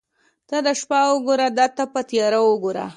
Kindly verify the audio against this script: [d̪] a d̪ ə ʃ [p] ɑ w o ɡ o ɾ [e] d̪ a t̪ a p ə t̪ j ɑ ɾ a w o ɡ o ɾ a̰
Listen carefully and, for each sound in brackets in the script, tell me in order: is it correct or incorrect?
incorrect, correct, incorrect

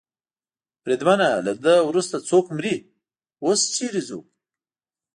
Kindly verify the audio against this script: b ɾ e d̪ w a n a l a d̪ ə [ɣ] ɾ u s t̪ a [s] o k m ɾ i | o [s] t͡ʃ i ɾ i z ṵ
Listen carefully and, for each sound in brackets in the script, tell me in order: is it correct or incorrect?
incorrect, incorrect, correct

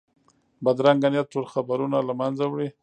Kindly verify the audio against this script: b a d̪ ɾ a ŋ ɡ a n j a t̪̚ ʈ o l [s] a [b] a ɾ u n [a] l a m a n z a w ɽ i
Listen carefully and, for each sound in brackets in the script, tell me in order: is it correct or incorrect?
incorrect, correct, correct

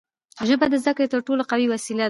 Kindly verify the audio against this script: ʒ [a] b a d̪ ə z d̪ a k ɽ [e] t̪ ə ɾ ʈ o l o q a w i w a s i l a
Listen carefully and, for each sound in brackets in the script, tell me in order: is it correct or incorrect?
incorrect, correct

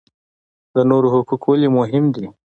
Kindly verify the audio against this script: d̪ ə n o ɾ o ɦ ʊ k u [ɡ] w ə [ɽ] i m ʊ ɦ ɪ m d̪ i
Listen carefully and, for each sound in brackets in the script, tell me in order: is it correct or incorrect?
incorrect, incorrect

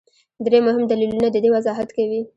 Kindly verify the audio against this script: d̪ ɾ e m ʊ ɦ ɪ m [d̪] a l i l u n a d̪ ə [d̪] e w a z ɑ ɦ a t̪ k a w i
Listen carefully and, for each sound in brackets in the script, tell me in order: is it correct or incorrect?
correct, correct

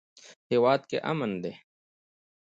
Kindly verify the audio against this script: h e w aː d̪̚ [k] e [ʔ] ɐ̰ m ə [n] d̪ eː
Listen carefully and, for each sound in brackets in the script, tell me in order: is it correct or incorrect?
correct, correct, correct

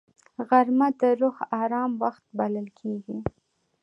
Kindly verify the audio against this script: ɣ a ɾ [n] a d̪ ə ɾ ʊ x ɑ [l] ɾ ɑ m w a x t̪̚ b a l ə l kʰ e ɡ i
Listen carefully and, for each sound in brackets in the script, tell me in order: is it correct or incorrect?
incorrect, incorrect

